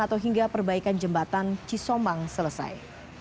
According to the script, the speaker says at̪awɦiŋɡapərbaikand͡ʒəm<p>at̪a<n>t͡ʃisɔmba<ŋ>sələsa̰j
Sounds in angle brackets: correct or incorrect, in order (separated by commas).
incorrect, correct, correct